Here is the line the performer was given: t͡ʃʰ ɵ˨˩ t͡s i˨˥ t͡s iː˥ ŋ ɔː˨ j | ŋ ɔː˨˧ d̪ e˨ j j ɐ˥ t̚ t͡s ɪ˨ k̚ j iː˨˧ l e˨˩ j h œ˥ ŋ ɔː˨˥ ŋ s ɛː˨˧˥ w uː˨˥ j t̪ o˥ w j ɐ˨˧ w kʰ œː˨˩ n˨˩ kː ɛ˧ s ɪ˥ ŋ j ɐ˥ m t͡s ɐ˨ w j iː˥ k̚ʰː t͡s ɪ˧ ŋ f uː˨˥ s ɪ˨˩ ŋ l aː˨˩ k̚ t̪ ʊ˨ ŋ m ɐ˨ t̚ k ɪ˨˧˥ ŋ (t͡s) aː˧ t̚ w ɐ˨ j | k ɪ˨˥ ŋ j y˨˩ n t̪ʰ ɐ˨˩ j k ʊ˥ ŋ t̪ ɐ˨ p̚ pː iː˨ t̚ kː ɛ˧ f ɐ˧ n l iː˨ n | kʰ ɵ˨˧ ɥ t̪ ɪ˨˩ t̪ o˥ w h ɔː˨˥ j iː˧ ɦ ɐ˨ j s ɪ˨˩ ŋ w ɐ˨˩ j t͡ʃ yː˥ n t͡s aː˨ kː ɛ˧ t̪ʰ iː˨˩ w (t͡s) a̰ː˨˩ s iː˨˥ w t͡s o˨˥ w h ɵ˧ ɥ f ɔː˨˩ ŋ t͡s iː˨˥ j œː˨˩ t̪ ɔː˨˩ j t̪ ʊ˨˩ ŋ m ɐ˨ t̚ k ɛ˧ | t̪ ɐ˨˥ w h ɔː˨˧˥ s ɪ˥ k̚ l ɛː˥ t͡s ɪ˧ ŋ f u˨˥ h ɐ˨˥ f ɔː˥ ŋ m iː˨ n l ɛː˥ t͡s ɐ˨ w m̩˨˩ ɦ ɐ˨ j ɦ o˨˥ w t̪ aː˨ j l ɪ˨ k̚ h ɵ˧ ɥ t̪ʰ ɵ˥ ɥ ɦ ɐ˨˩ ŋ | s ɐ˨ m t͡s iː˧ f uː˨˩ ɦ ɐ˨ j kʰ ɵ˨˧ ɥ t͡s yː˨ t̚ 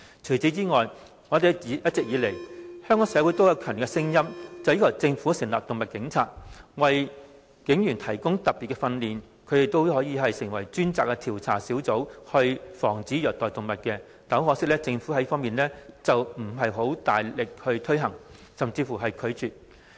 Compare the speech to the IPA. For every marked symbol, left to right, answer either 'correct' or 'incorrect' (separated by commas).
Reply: incorrect, incorrect